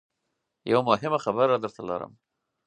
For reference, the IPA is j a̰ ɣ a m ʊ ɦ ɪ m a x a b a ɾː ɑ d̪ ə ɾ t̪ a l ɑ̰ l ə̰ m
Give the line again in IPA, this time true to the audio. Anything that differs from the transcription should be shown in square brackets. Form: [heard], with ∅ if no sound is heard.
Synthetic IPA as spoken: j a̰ [w] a m ʊ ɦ ɪ m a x a b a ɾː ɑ d̪ ə ɾ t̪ a l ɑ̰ [ɾ] ə̰ m